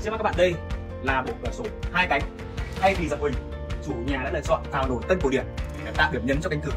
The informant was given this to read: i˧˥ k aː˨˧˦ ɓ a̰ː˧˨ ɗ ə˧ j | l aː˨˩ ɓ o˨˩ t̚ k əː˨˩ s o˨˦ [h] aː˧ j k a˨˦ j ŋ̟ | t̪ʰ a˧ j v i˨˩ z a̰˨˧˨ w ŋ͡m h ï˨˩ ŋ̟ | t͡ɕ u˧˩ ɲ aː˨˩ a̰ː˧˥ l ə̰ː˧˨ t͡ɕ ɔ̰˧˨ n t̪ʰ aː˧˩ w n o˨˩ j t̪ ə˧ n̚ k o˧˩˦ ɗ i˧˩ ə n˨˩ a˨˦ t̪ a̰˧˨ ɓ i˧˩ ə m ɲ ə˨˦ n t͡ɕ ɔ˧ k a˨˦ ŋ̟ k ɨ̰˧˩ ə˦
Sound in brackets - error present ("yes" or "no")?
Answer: no